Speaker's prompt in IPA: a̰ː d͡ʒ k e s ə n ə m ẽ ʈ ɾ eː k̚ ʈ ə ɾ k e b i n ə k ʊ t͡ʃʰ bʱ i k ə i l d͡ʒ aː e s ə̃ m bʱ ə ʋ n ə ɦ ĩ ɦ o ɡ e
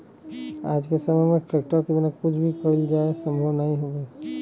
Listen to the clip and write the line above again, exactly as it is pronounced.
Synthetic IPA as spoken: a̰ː d͡ʒ k e s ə m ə m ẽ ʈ ɾ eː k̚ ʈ ə ɾ k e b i n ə k ʊ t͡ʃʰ bʱ i k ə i l d͡ʒ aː e s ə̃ m bʱ ə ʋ n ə ɦ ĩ ɦ o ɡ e